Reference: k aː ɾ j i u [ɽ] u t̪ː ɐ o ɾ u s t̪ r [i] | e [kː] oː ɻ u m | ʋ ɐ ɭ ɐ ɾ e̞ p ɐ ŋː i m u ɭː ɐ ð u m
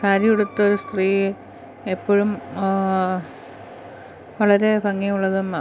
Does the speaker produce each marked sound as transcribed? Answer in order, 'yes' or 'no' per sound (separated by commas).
yes, no, no